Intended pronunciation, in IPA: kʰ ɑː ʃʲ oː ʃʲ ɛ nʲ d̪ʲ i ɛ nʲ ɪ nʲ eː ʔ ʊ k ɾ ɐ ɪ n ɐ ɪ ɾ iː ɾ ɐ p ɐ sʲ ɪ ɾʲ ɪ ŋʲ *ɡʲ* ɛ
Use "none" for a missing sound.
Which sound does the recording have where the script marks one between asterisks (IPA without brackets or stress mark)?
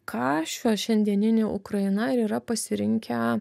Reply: kʲ